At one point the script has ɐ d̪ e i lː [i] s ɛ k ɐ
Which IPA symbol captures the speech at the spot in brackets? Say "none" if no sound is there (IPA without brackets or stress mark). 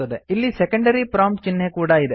i